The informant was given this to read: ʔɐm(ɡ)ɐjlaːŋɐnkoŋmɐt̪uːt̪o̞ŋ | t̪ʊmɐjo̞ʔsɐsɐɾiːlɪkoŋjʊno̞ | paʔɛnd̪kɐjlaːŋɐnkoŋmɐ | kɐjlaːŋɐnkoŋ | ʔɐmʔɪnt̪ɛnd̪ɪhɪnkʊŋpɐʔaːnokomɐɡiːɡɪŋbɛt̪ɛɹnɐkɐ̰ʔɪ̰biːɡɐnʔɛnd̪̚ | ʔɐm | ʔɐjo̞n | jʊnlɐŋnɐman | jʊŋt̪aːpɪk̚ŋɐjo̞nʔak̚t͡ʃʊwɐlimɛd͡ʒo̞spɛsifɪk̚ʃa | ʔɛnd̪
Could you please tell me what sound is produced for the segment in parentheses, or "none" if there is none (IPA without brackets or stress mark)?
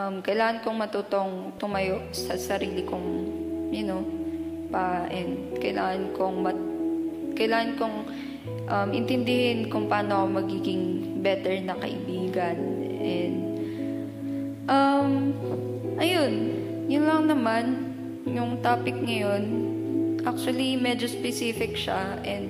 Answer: k